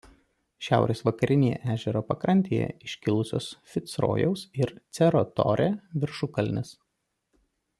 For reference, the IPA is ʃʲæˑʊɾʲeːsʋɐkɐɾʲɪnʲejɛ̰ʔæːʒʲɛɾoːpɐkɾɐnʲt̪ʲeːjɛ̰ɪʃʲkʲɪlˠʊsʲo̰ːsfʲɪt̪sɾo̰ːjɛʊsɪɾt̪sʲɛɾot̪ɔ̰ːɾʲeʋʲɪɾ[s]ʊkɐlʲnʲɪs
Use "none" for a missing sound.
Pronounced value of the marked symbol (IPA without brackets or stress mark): ʃ